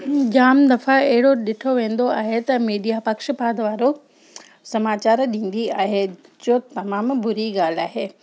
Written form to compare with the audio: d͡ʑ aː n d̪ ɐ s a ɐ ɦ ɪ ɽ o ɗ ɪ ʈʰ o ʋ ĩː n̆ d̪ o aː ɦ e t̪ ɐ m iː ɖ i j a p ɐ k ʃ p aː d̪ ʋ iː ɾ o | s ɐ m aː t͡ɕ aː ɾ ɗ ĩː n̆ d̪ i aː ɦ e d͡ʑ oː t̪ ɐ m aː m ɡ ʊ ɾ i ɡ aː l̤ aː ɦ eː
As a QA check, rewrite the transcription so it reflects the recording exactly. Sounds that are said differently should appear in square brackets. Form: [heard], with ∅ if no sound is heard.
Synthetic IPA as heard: d͡ʑ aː [m] d̪ ɐ [f] a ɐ ɦ ɪ ɽ o ɗ ɪ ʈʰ o ʋ [ẽː] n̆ d̪ o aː ɦ e t̪ ɐ m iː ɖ i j a p ɐ k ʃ p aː d̪ ʋ [aː] ɾ o | s ɐ m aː t͡ɕ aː ɾ ɗ ĩː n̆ d̪ i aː ɦ e d͡ʑ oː t̪ ɐ m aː m [b] ʊ ɾ i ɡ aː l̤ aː ɦ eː